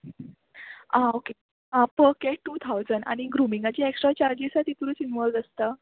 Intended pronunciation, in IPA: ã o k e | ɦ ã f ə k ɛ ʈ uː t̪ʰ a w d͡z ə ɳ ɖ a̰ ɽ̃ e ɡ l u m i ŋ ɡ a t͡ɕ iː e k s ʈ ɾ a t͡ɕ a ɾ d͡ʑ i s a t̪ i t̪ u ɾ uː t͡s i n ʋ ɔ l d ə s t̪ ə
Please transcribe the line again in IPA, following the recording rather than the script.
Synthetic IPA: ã o k e | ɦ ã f ə k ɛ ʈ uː t̪ʰ a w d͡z ə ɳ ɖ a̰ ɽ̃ i ɡ ɾ u m i ŋ ɡ a t͡ɕ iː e k s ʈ ɾ a t͡ɕ a ɾ d͡ʑ i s a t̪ i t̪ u ɾ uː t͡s i n ʋ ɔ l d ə s t̪ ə